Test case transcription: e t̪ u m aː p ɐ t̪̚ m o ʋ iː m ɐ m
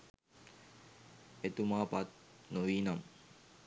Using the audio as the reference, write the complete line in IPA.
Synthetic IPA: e t̪ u m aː p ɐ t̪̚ n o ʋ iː n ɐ m